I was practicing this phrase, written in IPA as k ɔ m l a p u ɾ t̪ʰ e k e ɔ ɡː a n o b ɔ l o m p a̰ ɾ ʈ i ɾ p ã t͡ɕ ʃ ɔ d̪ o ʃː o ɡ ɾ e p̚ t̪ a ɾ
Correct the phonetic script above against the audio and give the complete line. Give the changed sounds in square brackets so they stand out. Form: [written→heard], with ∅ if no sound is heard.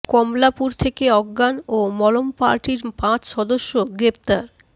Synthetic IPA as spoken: k ɔ m l a p u ɾ t̪ʰ e k e ɔ ɡː a n o [b→m] ɔ l o m p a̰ ɾ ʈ i ɾ p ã t͡ɕ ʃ ɔ d̪ o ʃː o ɡ ɾ e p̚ t̪ a ɾ